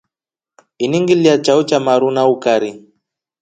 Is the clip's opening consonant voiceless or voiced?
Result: voiced